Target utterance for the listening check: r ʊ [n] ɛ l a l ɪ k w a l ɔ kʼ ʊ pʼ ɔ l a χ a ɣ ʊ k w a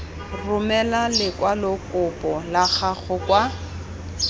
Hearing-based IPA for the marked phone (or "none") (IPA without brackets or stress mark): m